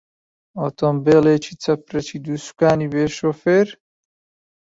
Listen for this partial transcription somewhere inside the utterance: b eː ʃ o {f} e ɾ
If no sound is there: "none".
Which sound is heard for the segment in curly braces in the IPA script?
f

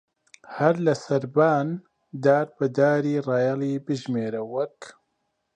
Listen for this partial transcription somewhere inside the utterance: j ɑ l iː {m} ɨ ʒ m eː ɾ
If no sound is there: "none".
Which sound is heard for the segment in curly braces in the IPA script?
b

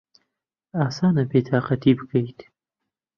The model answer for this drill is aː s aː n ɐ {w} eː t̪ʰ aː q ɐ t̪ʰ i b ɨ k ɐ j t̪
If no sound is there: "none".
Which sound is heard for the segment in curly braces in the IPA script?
b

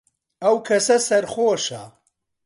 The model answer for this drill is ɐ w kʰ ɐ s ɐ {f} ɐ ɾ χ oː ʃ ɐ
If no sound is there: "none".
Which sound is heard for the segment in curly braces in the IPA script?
s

